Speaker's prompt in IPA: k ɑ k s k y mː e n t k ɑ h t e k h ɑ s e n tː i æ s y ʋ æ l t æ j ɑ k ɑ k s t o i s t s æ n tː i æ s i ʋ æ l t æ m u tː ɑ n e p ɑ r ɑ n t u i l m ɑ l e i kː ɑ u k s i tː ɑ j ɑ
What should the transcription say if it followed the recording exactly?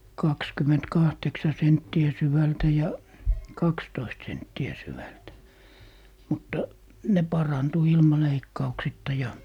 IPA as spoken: k ɑ k s k y mː e n t k ɑ h t e k s ɑ s e n tː i æ s y ʋ æ l t æ j ɑ k ɑ k s t o i s t s e n tː i æ s y ʋ æ l t æ m u tː ɑ n e p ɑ r ɑ n t u i l m ɑ l e i kː ɑ u k s i tː ɑ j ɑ